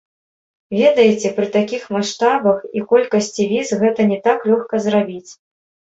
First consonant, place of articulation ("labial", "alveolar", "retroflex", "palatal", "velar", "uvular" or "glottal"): labial